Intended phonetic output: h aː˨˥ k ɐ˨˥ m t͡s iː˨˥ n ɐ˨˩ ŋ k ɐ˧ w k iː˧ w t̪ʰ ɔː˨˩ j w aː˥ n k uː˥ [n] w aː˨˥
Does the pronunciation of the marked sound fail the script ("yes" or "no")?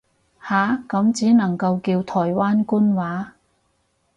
no